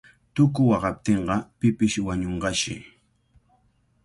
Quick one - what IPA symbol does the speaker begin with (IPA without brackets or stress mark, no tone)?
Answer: t̪